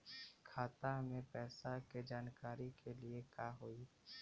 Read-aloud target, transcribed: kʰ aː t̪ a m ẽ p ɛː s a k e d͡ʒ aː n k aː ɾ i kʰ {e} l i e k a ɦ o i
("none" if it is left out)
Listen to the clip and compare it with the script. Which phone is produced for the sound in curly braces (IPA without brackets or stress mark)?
e